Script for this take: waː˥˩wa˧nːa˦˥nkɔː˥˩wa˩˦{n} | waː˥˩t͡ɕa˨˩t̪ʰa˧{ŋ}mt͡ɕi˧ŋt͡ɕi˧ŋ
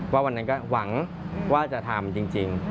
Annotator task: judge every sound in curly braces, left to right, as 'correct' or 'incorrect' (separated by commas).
incorrect, incorrect